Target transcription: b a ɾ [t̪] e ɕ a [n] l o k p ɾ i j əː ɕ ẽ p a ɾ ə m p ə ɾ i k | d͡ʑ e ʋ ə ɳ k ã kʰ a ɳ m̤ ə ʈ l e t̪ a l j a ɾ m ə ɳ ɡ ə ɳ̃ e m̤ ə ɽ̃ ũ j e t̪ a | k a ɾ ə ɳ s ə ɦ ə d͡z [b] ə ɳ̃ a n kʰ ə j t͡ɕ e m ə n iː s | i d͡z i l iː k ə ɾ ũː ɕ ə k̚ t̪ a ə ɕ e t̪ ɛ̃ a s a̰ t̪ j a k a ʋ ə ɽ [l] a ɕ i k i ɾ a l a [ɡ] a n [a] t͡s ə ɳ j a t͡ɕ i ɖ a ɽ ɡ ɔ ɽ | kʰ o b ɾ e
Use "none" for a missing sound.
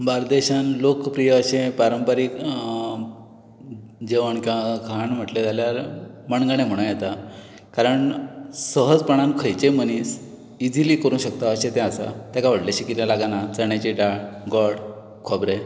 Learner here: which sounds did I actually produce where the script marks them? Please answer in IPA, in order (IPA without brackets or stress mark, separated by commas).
d̪, n, p, l, ɡ, a